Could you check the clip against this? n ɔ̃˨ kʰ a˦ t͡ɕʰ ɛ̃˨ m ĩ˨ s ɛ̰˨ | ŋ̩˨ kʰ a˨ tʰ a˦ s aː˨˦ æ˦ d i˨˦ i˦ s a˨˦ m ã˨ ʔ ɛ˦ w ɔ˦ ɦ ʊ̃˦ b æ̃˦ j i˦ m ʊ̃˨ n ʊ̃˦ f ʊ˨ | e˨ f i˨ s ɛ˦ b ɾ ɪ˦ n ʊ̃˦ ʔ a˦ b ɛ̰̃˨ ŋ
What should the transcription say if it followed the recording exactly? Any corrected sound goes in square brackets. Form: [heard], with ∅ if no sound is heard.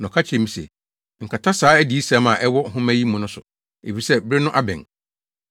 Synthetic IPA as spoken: n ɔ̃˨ kʰ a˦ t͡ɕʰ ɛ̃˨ m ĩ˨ s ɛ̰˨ | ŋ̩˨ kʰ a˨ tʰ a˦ s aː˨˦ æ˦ d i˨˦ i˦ s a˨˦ m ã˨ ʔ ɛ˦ w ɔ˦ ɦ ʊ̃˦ [m] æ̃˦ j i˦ m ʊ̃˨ n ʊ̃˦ [s] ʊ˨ | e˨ f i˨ s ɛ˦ b ɾ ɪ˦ n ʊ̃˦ ʔ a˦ b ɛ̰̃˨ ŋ